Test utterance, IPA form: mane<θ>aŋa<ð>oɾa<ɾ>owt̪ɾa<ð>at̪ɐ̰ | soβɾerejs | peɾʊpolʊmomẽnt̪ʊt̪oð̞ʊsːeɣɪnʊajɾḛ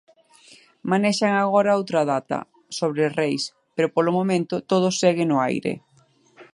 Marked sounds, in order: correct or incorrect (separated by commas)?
incorrect, incorrect, incorrect, correct